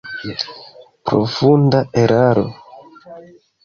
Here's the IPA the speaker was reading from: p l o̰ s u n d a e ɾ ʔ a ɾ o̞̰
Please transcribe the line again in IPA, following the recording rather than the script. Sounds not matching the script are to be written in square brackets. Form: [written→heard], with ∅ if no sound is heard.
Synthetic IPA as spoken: p [l→ɾ] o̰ [s→f] u n d a e ɾ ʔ a ɾ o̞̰